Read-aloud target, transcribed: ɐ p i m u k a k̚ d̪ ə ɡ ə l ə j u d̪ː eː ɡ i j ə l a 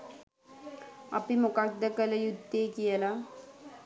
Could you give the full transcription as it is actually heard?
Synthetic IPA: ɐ p i m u k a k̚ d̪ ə k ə l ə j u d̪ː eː k i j ə l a